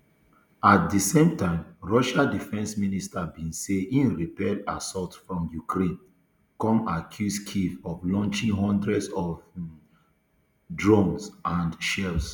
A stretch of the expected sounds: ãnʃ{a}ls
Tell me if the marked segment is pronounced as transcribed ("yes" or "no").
no